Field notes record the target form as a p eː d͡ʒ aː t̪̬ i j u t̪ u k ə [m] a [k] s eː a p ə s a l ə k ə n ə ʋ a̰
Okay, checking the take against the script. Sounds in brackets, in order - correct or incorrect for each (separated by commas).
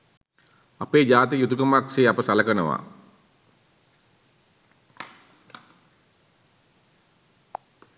correct, correct